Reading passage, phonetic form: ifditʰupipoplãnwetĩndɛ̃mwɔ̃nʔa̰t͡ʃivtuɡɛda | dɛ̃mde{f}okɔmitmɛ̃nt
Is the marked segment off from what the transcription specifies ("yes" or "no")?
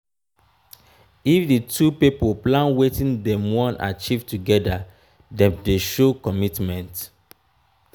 yes